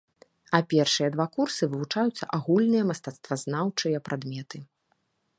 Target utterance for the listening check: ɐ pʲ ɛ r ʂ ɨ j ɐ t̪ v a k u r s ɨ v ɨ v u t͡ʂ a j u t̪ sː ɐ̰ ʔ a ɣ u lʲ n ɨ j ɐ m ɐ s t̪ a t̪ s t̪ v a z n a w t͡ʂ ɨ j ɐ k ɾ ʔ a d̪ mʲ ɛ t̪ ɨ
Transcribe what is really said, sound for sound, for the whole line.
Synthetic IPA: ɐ pʲ ɛ r ʂ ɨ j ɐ d̪ v a k u r s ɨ v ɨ v u t͡ʂ a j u t̪ sː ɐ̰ ʔ a ɣ u lʲ n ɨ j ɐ m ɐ s t̪ a t̪ s t̪ v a z n a w t͡ʂ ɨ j ɐ p ɾ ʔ a d̪ mʲ ɛ t̪ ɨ